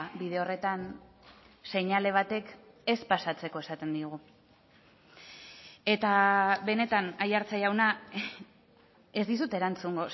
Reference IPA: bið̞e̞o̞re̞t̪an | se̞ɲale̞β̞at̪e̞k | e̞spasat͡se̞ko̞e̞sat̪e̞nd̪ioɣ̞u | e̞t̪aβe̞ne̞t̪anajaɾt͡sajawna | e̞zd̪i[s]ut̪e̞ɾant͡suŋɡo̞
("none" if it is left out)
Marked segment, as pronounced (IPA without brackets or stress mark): s